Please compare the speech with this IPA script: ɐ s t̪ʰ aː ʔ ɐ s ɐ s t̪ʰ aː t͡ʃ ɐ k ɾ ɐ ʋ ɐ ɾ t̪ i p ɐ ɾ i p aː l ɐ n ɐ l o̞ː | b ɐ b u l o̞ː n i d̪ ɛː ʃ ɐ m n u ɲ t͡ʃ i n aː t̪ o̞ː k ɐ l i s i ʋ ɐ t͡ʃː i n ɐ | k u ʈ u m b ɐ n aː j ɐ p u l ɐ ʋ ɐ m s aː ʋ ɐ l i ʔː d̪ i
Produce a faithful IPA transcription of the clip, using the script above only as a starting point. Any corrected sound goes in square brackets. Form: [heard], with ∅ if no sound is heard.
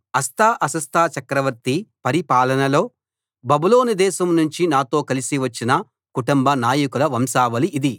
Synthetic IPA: ɐ s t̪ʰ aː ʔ ɐ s ɐ s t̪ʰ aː t͡ʃ ɐ k ɾ ɐ ʋ ɐ ɾ t̪ i p ɐ ɾ i p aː l ɐ n ɐ l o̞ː | b ɐ b u l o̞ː n i d̪ ɛː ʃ ɐ m n u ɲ t͡ʃ i n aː t̪ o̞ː k ɐ l i s i ʋ ɐ t͡ʃː i n ɐ | k u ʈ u m b ɐ n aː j ɐ [k] u l ɐ ʋ ɐ m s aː ʋ ɐ l i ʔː d̪ i

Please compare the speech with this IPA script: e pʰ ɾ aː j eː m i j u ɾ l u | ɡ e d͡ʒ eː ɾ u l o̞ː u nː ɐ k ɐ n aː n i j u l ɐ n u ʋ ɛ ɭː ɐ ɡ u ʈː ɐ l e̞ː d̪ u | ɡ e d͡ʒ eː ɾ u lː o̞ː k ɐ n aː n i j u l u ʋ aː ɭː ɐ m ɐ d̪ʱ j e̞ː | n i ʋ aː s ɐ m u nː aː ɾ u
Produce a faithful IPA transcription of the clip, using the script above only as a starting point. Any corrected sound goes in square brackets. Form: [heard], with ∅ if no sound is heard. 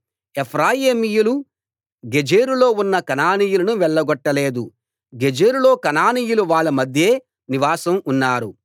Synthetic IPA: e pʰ ɾ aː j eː m i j u [∅] l u | ɡ e d͡ʒ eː ɾ u l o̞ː u nː ɐ k ɐ n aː n i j u l ɐ n u ʋ ɛ ɭː ɐ ɡ [ɔ] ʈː ɐ l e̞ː d̪ u | ɡ e d͡ʒ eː ɾ u [l] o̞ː k ɐ n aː n i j u l u ʋ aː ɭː ɐ m ɐ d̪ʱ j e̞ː | n i ʋ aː s ɐ m u nː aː ɾ u

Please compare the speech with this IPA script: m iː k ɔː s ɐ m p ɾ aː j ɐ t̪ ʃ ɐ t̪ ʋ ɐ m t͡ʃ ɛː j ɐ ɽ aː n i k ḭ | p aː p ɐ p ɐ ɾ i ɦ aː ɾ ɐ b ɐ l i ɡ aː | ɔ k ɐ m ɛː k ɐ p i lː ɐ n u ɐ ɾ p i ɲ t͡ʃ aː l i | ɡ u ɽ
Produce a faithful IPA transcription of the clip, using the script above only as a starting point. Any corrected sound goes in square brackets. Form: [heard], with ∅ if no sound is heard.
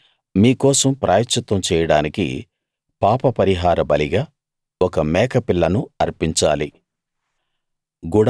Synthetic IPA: m iː k ɔː s ɐ m p ɾ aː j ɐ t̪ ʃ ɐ t̪ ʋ ɐ m t͡ʃ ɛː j ɐ ɽ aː n i k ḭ | p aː p ɐ p ɐ ɾ i ɦ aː ɾ ɐ b ɐ l i ɡ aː | ɔ k ɐ m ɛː k ɐ p i lː ɐ n u ɐ ɾ p i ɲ t͡ʃ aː l i | ɡ u ɽ

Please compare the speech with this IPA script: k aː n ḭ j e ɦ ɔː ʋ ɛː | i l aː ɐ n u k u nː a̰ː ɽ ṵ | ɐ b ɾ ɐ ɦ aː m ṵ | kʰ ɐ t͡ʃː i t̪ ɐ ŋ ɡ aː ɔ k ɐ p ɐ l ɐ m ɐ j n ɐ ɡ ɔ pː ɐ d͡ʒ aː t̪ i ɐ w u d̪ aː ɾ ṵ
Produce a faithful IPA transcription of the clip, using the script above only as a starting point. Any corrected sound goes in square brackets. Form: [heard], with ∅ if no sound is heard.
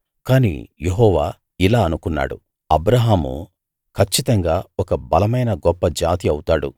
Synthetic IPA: k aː n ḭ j e ɦ ɔː ʋ [aː] | i l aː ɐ n u k u nː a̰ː ɽ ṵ | ɐ b ɾ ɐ ɦ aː m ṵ | kʰ ɐ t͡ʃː i t̪ ɐ ŋ ɡ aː ɔ k ɐ [b] ɐ l ɐ m ɐ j n ɐ ɡ ɔ pː ɐ d͡ʒ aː t̪ i ɐ w u [t̪] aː [ɽ] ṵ

